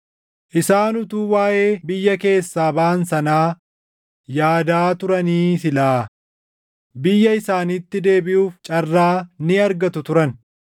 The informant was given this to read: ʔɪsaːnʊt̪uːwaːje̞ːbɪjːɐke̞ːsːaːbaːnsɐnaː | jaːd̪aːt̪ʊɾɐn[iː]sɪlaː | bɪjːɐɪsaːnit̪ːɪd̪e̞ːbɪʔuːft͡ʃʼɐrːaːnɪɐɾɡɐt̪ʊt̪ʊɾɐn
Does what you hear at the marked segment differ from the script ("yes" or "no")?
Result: no